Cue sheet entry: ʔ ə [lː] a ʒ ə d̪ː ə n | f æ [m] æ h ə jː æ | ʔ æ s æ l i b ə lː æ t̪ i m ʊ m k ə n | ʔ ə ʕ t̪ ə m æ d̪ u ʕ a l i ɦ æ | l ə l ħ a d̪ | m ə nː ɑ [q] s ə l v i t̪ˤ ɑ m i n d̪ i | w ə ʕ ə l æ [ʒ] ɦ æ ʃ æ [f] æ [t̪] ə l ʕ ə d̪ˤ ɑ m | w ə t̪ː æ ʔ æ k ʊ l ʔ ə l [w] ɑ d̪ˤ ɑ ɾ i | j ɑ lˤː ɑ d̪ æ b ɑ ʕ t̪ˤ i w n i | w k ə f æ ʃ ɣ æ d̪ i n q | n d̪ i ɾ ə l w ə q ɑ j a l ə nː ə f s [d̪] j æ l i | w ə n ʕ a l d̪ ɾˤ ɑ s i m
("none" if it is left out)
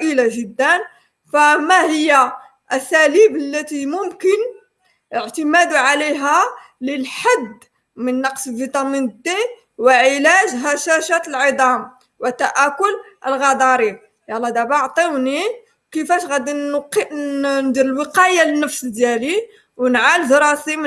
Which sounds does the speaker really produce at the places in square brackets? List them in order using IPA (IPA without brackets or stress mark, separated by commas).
l, m, q, ʒ, ʃ, t̪, ɣ, d̪